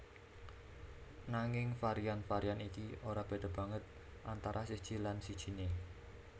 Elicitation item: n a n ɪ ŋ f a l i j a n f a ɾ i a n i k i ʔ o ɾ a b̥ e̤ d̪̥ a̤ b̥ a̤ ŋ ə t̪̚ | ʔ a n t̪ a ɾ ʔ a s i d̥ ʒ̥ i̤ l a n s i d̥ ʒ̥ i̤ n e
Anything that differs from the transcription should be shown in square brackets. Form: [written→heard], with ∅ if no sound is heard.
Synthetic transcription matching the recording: n a [n→ŋ] ɪ ŋ f a [l→ɾ] i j a n f a ɾ i a n i k i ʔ o ɾ a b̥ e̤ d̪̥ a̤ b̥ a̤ ŋ ə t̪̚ | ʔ a n t̪ a ɾ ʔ a s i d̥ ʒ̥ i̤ l a n s i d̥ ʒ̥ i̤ n e